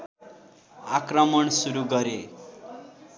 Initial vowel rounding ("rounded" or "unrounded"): unrounded